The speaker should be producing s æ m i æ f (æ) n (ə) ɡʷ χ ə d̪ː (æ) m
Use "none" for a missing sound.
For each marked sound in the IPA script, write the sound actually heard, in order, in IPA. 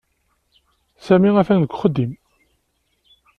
æ, ə, i

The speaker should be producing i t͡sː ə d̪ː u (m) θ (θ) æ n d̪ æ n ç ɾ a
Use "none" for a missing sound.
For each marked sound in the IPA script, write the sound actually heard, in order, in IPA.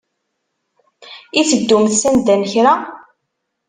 m, s

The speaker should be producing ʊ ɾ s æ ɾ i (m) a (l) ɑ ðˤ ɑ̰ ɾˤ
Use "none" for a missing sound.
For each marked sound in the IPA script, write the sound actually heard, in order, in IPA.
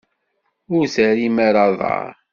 m, ɾ

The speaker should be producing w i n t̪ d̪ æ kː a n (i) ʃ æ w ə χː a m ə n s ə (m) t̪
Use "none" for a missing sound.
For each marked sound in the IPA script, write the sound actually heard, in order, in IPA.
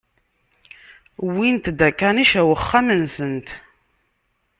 i, n

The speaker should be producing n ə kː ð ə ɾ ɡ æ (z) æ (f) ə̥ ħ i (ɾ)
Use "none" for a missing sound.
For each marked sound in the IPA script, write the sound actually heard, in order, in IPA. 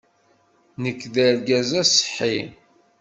z, s, none

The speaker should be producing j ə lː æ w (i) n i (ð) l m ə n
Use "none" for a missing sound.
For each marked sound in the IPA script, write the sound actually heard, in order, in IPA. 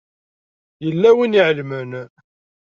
i, ʕ

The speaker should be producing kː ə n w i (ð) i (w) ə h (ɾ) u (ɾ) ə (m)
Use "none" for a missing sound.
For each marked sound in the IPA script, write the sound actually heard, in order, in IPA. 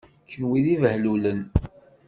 ð, v, l, l, n

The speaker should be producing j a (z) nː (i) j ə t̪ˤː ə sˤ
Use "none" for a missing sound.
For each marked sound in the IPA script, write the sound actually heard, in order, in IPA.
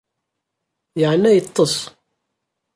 ʕ, æ

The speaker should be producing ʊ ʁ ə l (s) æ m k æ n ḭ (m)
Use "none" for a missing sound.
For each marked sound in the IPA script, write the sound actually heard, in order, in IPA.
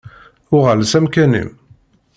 s, m

